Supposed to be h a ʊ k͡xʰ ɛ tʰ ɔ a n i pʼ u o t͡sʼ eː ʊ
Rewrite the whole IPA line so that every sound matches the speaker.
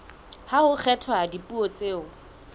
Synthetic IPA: h a ʊ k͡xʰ ɛ tʰ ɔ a d i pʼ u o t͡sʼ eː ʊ